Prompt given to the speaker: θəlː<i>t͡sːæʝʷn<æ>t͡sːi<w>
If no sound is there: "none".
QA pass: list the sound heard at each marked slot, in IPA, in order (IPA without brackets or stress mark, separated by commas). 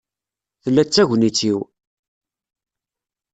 æ, i, w